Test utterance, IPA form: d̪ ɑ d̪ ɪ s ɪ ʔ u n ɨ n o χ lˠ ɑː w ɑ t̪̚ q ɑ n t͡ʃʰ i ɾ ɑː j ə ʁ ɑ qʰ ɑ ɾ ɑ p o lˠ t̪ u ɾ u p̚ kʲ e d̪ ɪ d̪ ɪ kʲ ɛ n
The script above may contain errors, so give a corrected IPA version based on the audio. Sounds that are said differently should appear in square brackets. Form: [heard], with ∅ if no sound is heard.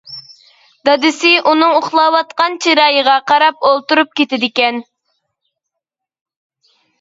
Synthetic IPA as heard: d̪ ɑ d̪ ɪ s ɪ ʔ u n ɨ [ŋ] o χ lˠ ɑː w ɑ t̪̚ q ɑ n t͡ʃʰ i ɾ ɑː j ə ʁ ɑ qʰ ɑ ɾ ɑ p o lˠ t̪ u ɾ u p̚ kʲ e [t̪] ɪ d̪ ɪ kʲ ɛ n